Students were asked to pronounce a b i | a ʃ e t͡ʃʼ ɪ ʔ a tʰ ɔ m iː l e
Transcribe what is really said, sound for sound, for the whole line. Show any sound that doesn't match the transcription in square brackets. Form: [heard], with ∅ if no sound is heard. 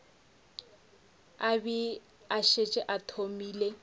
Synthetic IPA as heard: a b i | a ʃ e t͡ʃʼ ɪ ʔ a tʰ [o] m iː l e